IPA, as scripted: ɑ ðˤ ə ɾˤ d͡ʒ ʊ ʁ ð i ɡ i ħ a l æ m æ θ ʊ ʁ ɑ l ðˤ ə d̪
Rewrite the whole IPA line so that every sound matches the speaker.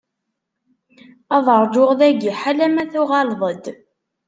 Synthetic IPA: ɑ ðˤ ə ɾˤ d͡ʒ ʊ ʁ ð æ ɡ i ħ a l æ m æ θ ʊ ʁ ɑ l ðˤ ə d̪